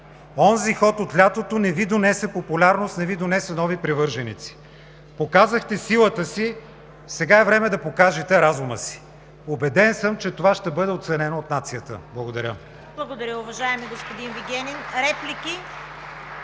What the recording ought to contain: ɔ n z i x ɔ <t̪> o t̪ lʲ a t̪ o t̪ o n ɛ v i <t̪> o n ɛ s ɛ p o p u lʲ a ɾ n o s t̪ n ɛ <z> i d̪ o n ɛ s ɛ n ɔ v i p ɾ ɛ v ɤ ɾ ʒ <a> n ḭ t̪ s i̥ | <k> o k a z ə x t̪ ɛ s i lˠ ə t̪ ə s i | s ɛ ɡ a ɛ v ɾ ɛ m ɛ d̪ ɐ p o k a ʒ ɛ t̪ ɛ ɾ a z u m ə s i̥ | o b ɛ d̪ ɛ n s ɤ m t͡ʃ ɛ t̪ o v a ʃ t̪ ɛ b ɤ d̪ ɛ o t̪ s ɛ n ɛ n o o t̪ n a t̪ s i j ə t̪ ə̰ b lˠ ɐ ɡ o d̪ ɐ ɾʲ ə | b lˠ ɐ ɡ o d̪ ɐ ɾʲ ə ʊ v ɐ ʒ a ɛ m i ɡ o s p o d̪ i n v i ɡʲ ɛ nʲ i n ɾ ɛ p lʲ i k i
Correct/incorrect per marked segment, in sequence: correct, incorrect: d̪, incorrect: v, incorrect: ɛ, incorrect: p

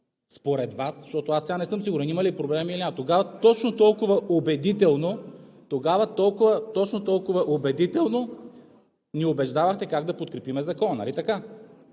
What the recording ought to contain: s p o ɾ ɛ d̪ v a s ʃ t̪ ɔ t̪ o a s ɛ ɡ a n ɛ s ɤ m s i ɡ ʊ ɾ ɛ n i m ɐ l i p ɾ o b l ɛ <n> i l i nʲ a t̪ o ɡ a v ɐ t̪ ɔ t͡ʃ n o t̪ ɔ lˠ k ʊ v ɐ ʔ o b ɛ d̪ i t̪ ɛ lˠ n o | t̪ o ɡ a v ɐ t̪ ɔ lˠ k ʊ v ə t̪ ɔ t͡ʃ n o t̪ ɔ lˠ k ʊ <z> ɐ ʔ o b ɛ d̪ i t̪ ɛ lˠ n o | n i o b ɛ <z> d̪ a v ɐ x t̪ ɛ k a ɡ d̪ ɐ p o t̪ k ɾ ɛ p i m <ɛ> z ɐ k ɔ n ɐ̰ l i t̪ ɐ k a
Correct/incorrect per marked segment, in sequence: incorrect: m, incorrect: v, incorrect: ʒ, correct

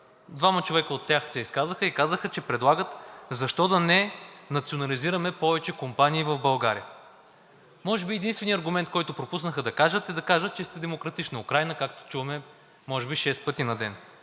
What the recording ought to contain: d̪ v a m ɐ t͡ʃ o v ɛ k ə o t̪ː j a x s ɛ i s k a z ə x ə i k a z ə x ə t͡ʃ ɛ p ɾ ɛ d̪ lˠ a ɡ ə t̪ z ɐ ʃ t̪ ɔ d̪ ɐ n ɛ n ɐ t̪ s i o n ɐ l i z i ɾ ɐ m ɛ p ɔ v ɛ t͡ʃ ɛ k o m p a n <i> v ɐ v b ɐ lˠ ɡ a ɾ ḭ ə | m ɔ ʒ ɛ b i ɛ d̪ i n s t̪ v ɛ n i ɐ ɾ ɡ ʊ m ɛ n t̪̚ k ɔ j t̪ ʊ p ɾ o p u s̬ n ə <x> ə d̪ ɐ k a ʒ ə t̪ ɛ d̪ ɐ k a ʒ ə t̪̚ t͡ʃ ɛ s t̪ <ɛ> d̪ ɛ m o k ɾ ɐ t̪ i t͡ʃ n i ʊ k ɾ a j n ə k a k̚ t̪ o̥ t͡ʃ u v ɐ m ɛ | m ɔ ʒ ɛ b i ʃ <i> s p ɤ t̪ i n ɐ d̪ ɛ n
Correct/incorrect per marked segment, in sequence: incorrect: iː, correct, correct, incorrect: ɛ

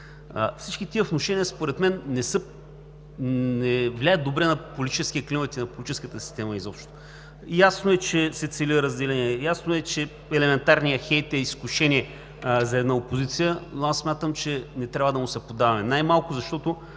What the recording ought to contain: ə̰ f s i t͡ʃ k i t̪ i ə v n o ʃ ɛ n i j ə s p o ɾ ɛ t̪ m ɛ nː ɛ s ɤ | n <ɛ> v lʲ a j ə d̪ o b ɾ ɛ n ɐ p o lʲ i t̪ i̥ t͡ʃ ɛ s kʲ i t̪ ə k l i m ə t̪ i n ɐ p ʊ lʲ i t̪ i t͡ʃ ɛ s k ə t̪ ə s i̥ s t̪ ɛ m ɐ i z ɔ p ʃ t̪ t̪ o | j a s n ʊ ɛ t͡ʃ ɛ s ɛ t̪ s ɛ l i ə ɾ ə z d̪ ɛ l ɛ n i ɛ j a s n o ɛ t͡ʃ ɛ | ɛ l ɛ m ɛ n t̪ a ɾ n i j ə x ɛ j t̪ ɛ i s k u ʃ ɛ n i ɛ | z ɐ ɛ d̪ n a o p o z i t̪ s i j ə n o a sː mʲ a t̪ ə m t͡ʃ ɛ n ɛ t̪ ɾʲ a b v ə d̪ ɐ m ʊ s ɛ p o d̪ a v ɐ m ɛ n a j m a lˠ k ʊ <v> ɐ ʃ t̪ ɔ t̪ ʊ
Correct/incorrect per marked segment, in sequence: correct, incorrect: z

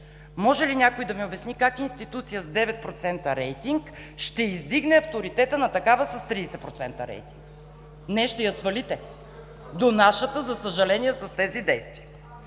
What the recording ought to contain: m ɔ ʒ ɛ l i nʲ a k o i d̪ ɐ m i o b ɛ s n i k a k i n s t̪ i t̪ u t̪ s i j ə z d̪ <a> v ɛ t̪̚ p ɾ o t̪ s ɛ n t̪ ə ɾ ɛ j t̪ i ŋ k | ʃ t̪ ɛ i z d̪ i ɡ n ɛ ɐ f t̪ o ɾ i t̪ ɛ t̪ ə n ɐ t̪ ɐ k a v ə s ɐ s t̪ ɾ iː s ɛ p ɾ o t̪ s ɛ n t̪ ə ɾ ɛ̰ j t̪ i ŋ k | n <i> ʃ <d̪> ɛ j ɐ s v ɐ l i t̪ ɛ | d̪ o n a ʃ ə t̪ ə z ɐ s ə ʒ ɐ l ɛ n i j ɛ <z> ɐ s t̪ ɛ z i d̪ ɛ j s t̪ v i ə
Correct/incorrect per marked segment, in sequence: incorrect: ɛ, incorrect: ɛ, incorrect: t̪, incorrect: s

